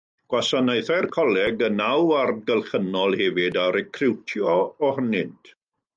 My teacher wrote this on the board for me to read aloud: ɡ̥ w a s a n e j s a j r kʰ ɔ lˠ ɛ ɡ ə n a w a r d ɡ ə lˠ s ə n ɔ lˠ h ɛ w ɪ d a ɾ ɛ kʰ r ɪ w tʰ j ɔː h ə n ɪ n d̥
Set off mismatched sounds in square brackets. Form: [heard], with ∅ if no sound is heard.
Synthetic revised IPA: ɡ̥ w a s a n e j [θ] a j r kʰ ɔ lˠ ɛ ɡ ə n a w a r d ɡ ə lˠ [χ] ə n ɔ lˠ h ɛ [v] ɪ d a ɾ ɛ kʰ r ɪ w tʰ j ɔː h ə n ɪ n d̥